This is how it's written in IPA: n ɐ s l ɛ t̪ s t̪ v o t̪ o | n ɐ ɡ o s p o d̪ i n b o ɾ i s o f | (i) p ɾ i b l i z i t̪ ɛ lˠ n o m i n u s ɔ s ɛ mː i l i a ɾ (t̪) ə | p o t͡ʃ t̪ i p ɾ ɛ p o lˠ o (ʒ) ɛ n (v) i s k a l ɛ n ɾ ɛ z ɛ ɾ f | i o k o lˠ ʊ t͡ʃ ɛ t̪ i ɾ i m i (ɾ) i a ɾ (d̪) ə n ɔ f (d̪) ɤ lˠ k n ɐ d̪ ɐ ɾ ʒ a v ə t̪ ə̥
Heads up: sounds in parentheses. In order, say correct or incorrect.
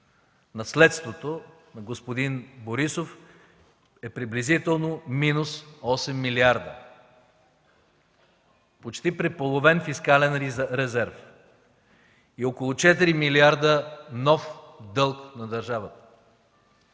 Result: incorrect: ɛ, incorrect: d̪, incorrect: v, incorrect: f, incorrect: l, correct, correct

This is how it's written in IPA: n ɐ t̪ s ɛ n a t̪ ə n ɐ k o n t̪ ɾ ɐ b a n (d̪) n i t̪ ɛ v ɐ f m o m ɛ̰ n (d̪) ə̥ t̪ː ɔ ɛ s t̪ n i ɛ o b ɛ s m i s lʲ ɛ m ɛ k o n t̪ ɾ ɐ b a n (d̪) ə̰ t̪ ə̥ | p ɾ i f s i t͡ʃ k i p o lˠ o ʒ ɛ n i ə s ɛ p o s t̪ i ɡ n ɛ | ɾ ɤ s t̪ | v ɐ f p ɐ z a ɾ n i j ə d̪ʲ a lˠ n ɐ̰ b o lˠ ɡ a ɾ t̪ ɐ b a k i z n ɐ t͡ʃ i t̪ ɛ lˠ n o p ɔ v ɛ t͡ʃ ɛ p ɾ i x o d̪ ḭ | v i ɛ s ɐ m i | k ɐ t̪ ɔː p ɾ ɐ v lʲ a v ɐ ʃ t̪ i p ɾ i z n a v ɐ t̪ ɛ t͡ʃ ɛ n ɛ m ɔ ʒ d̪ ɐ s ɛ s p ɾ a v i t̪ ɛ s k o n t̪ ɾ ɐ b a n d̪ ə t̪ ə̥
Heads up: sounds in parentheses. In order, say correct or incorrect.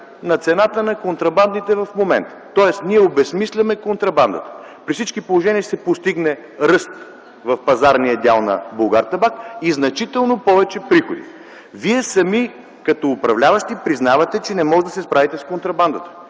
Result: correct, incorrect: t̪, correct

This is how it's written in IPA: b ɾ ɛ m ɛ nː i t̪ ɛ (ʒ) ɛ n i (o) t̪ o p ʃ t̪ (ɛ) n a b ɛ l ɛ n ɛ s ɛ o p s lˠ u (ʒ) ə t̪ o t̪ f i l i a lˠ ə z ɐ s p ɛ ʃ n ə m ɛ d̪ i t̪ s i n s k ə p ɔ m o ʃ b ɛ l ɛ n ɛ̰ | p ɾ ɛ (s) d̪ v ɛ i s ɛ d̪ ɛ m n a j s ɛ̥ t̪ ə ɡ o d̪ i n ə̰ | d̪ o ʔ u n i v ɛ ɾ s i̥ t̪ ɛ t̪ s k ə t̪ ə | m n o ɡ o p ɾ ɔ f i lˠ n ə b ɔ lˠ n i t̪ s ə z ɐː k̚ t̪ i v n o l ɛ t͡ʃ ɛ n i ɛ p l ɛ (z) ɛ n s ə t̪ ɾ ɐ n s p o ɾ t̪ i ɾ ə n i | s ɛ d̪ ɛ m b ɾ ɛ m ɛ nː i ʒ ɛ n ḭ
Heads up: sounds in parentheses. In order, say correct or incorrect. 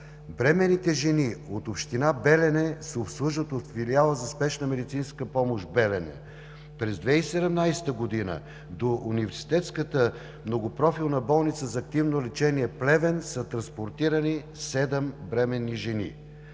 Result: correct, correct, incorrect: i, correct, incorrect: z, incorrect: v

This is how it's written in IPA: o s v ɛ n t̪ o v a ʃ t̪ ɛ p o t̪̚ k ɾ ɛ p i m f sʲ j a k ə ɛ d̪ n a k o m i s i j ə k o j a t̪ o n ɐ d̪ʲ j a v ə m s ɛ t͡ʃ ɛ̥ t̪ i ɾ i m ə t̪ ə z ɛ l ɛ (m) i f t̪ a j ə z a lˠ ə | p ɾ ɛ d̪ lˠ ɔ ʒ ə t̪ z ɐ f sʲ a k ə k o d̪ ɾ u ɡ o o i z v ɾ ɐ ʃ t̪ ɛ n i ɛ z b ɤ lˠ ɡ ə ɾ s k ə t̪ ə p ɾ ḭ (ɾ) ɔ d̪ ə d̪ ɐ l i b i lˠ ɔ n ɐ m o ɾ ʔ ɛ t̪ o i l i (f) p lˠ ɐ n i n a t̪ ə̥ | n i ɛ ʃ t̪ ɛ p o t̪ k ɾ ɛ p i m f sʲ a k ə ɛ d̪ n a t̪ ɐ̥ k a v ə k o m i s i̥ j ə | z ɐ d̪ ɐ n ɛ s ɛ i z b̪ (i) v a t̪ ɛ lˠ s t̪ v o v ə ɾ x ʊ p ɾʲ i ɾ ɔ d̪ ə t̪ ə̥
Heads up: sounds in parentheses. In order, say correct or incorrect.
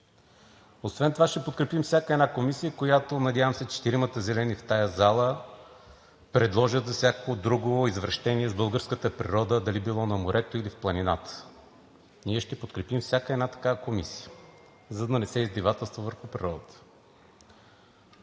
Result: incorrect: n, correct, correct, correct

